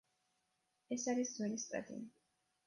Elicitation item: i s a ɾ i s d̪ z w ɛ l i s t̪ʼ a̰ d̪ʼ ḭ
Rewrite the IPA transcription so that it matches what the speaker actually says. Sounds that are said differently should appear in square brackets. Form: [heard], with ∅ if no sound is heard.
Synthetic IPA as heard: [ɛ] s a ɾ i s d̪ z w ɛ l i s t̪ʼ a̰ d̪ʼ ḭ